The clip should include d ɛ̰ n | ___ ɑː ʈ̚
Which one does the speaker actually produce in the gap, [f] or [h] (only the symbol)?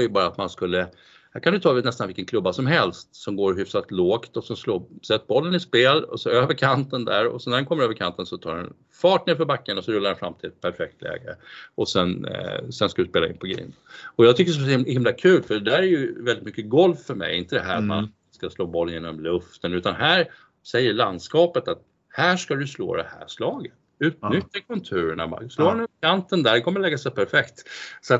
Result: f